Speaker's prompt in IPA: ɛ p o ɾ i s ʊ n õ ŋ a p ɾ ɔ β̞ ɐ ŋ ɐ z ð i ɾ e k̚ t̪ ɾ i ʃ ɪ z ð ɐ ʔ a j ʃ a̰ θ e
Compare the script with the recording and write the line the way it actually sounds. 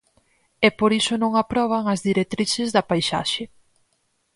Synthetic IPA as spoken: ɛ p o ɾ i s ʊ n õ ŋ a p ɾ ɔ β̞ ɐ ŋ ɐ z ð i ɾ e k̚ t̪ ɾ i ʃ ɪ z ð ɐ p a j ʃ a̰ ʃ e